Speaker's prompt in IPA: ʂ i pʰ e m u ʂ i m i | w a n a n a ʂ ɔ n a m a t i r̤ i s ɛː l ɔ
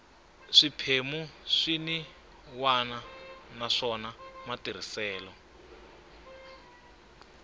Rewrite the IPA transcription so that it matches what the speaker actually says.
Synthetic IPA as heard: ʂ i pʰ e m u ʂ i n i | w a n a n a ʂ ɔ n a m a t i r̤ i s ɛː l ɔ

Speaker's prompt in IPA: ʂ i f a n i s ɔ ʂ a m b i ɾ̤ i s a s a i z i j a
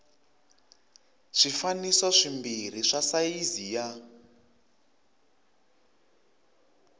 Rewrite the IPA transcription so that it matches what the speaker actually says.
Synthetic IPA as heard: ʂ i f a n i s ɔ ʂ i m b i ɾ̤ i ʂ a s a i z i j a

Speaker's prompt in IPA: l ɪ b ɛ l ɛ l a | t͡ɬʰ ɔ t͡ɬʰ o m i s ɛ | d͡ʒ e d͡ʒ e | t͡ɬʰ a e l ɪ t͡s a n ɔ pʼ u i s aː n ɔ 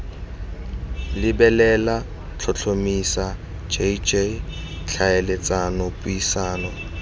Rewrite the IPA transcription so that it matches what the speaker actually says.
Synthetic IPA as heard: l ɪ b ɛ l ɛ l a | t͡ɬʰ ɔ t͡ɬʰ o m i s a | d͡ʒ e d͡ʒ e | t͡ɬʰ a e l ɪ t͡s a n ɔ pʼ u i s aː n ɔ

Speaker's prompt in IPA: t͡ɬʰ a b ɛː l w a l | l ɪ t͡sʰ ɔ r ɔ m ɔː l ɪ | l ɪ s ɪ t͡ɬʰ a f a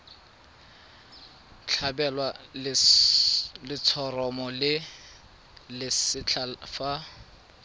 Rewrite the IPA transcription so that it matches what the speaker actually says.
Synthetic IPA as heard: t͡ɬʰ a b ɛ l w a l | l ɪ t͡sʰ ɔ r ɔ m ɔ l ɪ | l ɪ s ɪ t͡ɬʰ a f a

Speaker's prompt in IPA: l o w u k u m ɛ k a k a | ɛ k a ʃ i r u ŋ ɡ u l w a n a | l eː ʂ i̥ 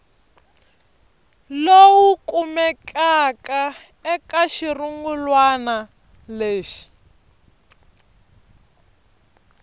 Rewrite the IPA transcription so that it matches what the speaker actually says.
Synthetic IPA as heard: l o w u k u m ɛ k a k a | ɛ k a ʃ i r u ŋ ɡ u l w a n a | l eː ʃ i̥

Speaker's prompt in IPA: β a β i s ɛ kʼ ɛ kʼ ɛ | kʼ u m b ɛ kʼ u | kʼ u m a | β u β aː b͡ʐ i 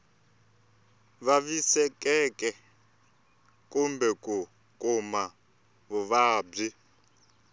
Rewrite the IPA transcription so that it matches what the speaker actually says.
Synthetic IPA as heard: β a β i s ɛ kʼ ɛ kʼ ɛ | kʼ u m b ɛ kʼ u | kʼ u m a | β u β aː b͡ʐ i

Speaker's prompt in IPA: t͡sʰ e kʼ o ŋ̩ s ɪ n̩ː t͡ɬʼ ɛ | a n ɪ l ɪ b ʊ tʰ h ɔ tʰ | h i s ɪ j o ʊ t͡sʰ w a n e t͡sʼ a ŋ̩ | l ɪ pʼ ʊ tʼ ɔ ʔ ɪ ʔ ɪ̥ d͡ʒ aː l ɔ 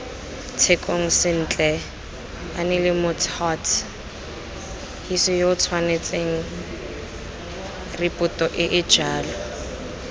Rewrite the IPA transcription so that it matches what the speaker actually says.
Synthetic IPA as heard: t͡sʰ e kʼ o ŋ̩ s ɪ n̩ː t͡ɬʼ ɛ | a n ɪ l ɪ m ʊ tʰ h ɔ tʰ | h i s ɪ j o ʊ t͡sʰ w a n e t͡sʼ e ŋ̩ | r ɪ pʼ ʊ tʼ ɔ ʔ ɪ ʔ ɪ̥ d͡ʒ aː l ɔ

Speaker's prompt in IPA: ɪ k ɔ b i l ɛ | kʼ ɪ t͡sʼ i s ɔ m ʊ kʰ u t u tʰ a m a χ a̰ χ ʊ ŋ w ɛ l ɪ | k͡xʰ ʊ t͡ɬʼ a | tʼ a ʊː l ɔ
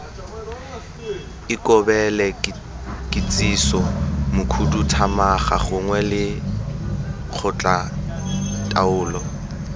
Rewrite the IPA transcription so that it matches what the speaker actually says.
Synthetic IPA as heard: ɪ k ɔ b ɛ l ɛ | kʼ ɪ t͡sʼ i s ɔ m ʊ kʰ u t u tʰ a m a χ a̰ χ ʊ ŋ w ɛ l ɪ | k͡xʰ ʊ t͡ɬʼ a | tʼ a ʊː l ɔ

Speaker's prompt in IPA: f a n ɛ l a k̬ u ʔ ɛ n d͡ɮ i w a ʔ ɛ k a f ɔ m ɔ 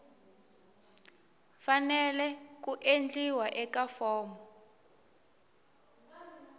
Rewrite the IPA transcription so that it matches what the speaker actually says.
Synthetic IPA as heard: f a n ɛ l ɛ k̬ u ʔ e n d͡ɮ i w a ʔ ɛ k a f ɔː m ɔ

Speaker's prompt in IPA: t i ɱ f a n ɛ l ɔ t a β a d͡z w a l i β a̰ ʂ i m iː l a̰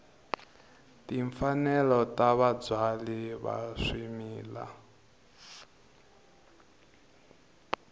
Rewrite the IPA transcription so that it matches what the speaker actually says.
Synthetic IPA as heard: t i ɱ f a n ɛ l ɔ t a β a d͡z w a l i β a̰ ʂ i m iː l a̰

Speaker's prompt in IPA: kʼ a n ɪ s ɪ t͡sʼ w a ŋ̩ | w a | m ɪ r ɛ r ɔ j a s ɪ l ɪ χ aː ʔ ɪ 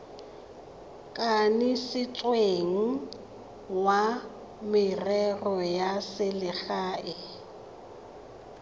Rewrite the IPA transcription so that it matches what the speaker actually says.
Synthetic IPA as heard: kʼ a n ɪ s ɪ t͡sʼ w e ŋ̩ | w a | m ɪ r ɛ r ɔ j a s ɪ l ɪ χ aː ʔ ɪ

